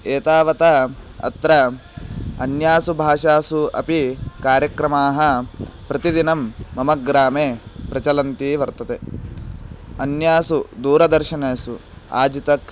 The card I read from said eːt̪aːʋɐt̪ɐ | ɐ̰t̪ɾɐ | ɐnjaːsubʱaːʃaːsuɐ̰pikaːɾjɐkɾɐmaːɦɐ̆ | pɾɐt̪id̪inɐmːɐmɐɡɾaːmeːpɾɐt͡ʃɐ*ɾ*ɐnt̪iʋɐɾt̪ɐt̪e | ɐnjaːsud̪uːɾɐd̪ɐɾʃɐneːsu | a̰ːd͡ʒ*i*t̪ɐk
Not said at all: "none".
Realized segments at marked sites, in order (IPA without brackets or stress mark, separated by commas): l, i